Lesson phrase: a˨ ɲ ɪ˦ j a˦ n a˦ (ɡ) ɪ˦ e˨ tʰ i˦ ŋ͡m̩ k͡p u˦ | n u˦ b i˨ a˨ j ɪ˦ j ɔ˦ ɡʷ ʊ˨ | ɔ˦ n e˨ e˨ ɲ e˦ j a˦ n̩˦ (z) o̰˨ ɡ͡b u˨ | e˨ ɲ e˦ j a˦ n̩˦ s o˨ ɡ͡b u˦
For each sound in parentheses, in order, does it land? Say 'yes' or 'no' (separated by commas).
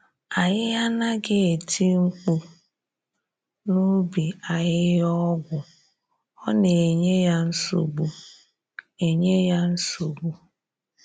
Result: yes, no